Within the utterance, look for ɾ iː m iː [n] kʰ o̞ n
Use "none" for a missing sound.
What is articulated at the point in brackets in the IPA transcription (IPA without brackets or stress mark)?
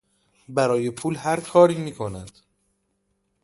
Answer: none